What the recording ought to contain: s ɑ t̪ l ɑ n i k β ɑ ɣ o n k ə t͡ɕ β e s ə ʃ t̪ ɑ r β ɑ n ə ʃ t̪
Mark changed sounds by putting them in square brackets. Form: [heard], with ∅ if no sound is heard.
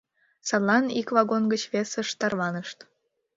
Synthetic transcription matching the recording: s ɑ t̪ l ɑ n i k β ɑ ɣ o n [ɡ] ə t͡ɕ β e s ə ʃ t̪ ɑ r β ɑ n ə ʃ t̪